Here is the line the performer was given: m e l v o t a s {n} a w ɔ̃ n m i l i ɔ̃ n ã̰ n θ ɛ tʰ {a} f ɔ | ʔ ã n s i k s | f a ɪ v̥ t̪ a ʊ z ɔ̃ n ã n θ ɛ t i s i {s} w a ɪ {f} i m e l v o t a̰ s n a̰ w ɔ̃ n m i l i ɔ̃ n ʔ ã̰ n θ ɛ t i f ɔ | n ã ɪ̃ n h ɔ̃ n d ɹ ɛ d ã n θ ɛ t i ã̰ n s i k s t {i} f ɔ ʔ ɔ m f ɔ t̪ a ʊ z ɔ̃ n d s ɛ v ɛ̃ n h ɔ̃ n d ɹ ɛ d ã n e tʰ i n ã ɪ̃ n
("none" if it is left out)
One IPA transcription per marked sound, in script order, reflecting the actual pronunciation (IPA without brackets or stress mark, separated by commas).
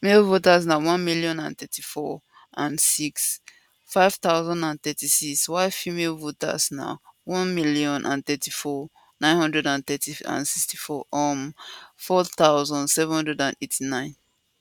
n, i, s, f, i